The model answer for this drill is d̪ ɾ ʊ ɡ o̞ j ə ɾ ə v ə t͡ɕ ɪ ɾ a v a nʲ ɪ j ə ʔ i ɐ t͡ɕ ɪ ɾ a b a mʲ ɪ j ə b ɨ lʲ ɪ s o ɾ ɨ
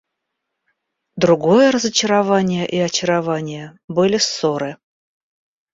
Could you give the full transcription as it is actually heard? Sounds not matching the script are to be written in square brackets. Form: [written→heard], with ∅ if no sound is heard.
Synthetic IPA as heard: d̪ ɾ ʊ ɡ o̞ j ə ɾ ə [v→z] ə t͡ɕ ɪ ɾ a v a nʲ ɪ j ə ʔ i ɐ t͡ɕ ɪ ɾ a [b→v] a [mʲ→nʲ] ɪ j ə b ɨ lʲ ɪ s o ɾ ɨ